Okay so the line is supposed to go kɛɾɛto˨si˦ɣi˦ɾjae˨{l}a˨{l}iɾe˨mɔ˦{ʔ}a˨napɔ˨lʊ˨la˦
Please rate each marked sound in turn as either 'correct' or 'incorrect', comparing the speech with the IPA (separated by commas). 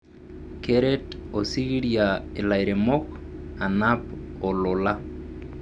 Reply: correct, incorrect, incorrect